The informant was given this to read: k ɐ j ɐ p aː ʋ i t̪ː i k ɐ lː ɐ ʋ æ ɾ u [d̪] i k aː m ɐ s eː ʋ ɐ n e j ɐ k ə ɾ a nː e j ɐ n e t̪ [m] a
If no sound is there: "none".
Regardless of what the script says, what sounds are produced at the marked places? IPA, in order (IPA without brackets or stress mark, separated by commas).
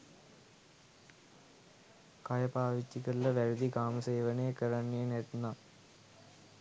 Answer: d̪, n